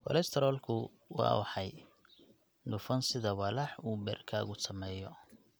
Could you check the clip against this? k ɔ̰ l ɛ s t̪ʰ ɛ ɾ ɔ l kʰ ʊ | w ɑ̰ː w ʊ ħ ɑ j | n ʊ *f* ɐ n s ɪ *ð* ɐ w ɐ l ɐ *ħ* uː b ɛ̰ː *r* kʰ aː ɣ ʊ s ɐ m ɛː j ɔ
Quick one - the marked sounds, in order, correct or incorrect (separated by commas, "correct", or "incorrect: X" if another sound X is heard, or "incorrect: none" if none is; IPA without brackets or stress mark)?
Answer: correct, correct, correct, correct